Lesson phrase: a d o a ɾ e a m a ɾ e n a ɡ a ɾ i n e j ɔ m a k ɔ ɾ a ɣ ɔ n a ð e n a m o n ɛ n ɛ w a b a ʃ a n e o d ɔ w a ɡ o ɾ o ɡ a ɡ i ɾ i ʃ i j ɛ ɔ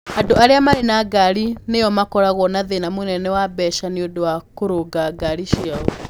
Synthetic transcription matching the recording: a d o a ɾ e a m a ɾ e n a ɡ a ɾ i n e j ɔ m a k ɔ ɾ a ɣ ɔ n a ð e n a m o n ɛ n ɛ w a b ɛ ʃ a n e o d o w a k o ɾ o ɡ a ɡ a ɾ i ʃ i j a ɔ